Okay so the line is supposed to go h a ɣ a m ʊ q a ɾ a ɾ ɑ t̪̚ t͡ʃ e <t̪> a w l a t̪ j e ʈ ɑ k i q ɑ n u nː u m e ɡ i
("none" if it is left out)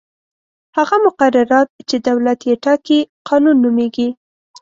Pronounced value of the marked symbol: d̪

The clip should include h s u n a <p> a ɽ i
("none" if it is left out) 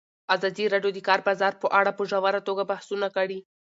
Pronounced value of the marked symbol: k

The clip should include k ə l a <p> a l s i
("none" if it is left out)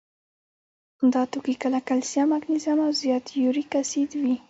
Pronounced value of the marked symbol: k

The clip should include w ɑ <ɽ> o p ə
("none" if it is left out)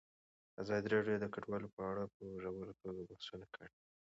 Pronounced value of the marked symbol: l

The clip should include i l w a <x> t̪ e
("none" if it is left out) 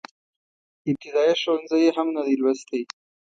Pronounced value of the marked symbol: s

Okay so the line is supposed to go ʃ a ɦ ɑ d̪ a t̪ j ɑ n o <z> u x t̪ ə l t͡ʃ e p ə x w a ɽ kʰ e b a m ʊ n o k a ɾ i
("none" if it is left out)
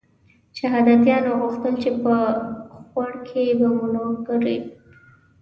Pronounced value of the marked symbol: ɣ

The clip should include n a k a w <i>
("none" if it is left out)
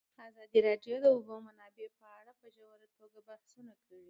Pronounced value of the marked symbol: i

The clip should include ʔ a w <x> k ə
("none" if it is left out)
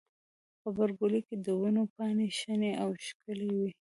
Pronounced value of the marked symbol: ʃ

